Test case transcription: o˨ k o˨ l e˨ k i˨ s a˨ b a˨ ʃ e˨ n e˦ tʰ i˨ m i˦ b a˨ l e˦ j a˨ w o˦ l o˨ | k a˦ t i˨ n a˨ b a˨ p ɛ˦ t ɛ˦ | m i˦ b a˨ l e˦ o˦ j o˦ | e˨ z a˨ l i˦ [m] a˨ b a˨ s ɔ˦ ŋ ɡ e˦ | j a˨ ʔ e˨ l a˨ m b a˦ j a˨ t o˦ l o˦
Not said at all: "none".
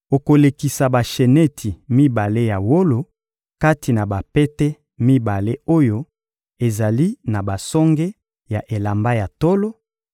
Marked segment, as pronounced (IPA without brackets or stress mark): n